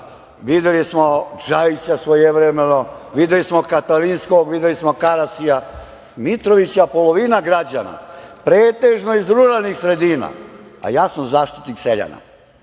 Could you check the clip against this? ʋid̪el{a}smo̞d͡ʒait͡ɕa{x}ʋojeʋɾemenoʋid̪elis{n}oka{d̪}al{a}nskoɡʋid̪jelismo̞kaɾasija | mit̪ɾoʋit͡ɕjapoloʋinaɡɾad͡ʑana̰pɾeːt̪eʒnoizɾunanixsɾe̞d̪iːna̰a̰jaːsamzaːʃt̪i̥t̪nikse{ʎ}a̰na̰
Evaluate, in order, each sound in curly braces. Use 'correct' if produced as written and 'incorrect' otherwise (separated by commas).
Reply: incorrect, incorrect, incorrect, incorrect, incorrect, correct